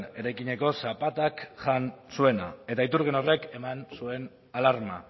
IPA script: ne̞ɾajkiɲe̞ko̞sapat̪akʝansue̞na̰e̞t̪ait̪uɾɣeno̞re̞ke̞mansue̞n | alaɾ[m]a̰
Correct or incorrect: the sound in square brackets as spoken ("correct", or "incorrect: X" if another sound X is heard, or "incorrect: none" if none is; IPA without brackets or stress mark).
correct